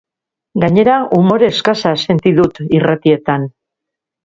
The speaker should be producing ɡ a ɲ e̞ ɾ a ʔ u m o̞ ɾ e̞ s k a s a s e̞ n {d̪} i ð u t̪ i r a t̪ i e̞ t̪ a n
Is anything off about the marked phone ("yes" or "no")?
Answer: yes